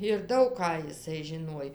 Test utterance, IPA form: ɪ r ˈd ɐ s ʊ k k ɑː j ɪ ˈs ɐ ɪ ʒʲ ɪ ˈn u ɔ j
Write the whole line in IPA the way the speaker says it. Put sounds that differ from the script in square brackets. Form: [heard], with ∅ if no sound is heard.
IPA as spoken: ɪ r ˈd ɐ [∅] ʊ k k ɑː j ɪ ˈs ɐ ɪ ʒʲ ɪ ˈn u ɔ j

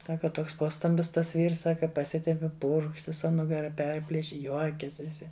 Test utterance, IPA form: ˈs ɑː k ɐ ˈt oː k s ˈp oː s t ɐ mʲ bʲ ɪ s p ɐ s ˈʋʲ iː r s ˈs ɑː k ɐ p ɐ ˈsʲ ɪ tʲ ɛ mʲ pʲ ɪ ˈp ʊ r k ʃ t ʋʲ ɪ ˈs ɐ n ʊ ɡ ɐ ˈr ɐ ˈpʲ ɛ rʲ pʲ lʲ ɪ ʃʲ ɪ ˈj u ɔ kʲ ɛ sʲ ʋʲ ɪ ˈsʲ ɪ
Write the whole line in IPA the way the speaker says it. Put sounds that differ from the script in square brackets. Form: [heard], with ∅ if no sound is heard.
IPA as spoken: ˈs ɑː k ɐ ˈt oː k s ˈp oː s t ɐ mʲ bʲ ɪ s [t] ɐ s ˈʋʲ iː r s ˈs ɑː k ɐ p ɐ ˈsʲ ɪ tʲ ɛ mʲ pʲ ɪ ˈp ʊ r k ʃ t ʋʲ ɪ ˈs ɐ n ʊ ɡ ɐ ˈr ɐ ˈpʲ ɛ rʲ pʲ lʲ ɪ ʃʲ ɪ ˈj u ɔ kʲ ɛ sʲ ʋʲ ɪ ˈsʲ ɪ

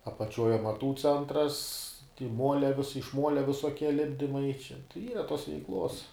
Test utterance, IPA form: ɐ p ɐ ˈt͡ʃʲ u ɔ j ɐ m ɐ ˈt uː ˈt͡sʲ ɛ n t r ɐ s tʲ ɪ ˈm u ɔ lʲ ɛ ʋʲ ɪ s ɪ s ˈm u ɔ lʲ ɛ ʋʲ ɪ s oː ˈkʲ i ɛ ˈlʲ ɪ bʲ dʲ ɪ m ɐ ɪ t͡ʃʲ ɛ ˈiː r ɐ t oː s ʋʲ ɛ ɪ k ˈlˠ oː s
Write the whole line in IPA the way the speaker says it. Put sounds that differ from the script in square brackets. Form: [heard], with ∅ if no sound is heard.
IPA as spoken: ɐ p ɐ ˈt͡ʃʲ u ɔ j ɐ m ɐ ˈt uː ˈt͡sʲ ɛ n t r ɐ s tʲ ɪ ˈm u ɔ lʲ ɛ ʋʲ ɪ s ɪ [ʃ] ˈm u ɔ lʲ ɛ ʋʲ ɪ s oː ˈkʲ i ɛ ˈlʲ ɪ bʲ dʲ ɪ m ɐ ɪ t͡ʃʲ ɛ ˈiː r ɐ t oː s ʋʲ ɛ ɪ k ˈlˠ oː s

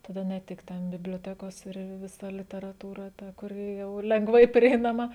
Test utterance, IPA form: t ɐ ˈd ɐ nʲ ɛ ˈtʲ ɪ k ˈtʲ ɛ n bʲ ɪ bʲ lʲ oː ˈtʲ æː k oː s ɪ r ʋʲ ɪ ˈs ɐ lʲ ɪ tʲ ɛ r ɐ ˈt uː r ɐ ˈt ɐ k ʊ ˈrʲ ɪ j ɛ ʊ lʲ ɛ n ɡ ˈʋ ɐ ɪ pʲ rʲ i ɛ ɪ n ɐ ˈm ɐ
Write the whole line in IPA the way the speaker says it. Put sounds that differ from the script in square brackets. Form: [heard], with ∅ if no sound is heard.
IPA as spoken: t ɐ ˈd ɐ nʲ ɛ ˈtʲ ɪ k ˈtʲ ɛ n bʲ ɪ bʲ lʲ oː ˈtʲ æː k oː s ɪ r ʋʲ ɪ ˈs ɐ lʲ ɪ tʲ ɛ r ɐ ˈt uː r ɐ ˈt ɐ k ʊ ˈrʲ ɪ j ɛ ʊ lʲ ɛ [ŋ] ɡ ˈʋ ɐ ɪ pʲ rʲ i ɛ ɪ n ɐ ˈm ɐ

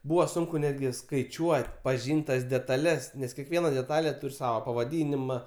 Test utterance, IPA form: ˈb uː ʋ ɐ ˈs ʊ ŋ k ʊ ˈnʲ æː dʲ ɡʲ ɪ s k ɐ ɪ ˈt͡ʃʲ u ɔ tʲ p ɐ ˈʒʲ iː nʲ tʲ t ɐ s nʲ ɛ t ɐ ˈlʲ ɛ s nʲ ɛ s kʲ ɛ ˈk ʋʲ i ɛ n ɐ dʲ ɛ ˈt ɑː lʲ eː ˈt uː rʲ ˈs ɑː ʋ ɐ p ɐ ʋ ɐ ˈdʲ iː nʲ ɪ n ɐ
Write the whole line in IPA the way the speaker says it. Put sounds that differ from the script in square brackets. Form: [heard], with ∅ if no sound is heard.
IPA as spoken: ˈb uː ʋ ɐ ˈs ʊ ŋ k ʊ ˈnʲ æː dʲ ɡʲ ɪ s k ɐ ɪ ˈt͡ʃʲ u ɔ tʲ p ɐ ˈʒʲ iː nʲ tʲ t ɐ s [dʲ] ɛ t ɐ ˈlʲ ɛ s nʲ ɛ s kʲ ɛ ˈk ʋʲ i ɛ n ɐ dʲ ɛ ˈt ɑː lʲ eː ˈt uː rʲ ˈs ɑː ʋ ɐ p ɐ ʋ ɐ ˈdʲ iː nʲ ɪ [m] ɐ

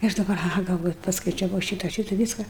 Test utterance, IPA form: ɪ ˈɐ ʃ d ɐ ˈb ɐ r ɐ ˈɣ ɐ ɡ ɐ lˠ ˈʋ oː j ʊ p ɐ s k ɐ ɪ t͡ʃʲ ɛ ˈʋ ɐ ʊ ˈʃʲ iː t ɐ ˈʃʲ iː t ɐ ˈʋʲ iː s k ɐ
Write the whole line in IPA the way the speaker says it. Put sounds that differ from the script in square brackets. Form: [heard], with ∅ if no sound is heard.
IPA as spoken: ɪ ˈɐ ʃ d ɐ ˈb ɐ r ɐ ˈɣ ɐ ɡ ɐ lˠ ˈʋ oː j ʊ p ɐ s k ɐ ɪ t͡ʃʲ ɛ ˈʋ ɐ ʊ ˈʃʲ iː t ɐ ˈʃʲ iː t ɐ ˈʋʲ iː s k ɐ

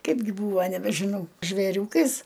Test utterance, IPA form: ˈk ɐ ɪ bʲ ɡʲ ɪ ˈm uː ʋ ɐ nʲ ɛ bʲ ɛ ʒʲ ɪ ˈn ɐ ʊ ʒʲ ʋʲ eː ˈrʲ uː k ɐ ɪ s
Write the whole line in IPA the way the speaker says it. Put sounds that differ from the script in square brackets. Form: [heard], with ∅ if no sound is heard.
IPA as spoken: ˈk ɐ ɪ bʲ ɡʲ ɪ [ˈb] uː ʋ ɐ nʲ ɛ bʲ ɛ ʒʲ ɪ ˈn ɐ ʊ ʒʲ ʋʲ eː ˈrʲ uː k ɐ ɪ s

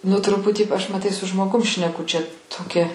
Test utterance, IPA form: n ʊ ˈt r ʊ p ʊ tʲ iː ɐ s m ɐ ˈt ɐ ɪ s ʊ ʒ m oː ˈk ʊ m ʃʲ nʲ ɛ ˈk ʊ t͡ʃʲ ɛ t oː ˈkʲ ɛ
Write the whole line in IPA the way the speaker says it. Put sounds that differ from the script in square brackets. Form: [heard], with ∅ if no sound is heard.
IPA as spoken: n ʊ ˈt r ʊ p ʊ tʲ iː ɐ [ʃ] m ɐ ˈt ɐ ɪ s ʊ ʒ m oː [ˈɡ] ʊ m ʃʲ nʲ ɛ ˈk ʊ t͡ʃʲ ɛ t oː ˈkʲ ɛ

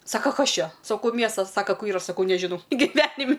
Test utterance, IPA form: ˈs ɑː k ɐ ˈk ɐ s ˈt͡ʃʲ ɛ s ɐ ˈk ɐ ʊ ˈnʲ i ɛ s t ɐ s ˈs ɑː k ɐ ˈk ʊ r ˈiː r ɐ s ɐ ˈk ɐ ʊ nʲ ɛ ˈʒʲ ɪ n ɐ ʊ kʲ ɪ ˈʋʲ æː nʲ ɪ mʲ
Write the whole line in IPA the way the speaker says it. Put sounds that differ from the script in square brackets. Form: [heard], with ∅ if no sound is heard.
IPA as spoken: ˈs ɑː k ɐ ˈk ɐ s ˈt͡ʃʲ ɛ s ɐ ˈk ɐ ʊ [ˈmʲ] i ɛ s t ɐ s ˈs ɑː k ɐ ˈk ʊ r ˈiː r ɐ s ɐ ˈk ɐ ʊ nʲ ɛ ˈʒʲ ɪ n ɐ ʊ [ɡʲ] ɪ ˈʋʲ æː nʲ ɪ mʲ

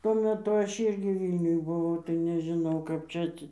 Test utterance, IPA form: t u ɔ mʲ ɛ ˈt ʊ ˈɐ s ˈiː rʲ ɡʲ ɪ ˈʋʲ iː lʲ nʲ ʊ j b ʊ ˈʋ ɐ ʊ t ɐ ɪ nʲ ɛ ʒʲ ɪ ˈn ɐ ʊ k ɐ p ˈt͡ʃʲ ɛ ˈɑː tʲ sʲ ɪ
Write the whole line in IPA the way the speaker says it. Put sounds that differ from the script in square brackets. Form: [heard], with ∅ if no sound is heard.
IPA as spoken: t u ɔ mʲ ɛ ˈt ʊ ˈɐ [ʃ] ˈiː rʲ ɡʲ ɪ ˈʋʲ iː lʲ nʲ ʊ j b ʊ ˈʋ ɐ ʊ t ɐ ɪ nʲ ɛ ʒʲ ɪ ˈn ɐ ʊ k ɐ p ˈt͡ʃʲ ɛ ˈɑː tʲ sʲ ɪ

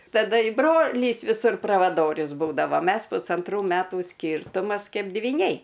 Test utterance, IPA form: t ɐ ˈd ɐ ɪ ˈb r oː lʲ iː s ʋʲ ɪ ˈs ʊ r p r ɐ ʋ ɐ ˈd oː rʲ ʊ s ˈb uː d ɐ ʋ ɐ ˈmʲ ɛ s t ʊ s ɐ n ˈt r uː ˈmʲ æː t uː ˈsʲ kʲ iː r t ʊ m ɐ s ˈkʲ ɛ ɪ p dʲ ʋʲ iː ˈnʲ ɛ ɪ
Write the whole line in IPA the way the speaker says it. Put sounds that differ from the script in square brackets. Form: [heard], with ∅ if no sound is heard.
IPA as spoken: t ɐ ˈd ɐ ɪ ˈb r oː lʲ iː s ʋʲ ɪ ˈs ʊ r p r ɐ ʋ ɐ ˈd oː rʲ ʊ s ˈb uː d ɐ ʋ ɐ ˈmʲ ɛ s [p] ʊ s ɐ n ˈt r uː ˈmʲ æː t uː ˈsʲ kʲ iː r t ʊ m ɐ s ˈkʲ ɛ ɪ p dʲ ʋʲ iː ˈnʲ ɛ ɪ

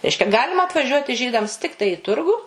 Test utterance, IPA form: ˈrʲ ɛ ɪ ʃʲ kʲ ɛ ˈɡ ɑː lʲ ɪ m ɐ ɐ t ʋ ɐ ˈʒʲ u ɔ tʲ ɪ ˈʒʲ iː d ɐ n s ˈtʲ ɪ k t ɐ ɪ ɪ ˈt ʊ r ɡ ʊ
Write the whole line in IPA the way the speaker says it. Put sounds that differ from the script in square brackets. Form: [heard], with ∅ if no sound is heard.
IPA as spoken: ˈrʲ ɛ ɪ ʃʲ kʲ ɛ ˈɡ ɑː lʲ ɪ m ɐ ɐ t ʋ ɐ ˈʒʲ u ɔ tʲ ɪ ˈʒʲ iː d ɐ [m] s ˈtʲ ɪ k t ɐ ɪ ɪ ˈt ʊ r ɡ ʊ

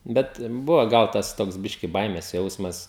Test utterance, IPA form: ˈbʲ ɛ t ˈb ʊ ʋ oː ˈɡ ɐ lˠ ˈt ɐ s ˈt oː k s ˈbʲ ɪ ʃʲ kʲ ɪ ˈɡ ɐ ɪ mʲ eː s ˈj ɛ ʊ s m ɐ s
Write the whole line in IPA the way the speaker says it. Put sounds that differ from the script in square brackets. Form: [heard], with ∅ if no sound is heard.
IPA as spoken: ˈbʲ ɛ t ˈb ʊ ʋ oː ˈɡ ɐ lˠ ˈt ɐ s ˈt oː k s ˈbʲ ɪ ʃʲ kʲ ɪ [ˈb] ɐ ɪ mʲ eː s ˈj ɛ ʊ s m ɐ s

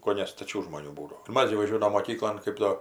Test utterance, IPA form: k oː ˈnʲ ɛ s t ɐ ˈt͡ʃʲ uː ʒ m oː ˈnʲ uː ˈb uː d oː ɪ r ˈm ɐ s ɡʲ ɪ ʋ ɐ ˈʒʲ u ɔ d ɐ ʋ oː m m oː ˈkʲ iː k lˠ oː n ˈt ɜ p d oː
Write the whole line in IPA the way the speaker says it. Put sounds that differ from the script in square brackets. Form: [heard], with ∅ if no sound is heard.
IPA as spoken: k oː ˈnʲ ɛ s t ɐ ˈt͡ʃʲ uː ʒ m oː ˈnʲ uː ˈb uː d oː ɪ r ˈm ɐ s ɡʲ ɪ ʋ ɐ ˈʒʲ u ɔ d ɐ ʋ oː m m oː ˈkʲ iː k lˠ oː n [ˈk] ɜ p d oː

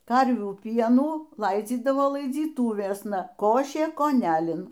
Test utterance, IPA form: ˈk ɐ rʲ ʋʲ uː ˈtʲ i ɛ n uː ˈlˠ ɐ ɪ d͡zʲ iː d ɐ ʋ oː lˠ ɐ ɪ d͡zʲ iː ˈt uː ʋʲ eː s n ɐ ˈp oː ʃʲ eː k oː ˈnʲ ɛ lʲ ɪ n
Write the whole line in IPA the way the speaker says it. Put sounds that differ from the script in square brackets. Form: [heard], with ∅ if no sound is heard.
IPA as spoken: ˈk ɐ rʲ ʋʲ uː [ˈpʲ] i ɛ n uː ˈlˠ ɐ ɪ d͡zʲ iː d ɐ ʋ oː lˠ ɐ ɪ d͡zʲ iː ˈt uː ʋʲ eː s n ɐ [ˈk] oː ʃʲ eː k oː ˈnʲ [æ] lʲ ɪ n

